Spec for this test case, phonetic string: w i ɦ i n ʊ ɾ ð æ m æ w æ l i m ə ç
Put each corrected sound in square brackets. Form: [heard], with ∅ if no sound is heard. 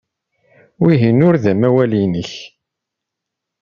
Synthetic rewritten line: w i ɦ i n ʊ ɾ ð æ m æ w æ l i [n] ə ç